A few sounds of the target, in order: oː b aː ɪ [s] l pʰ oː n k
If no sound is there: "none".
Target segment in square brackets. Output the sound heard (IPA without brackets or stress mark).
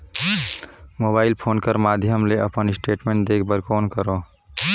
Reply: none